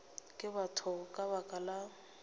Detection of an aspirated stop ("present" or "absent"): present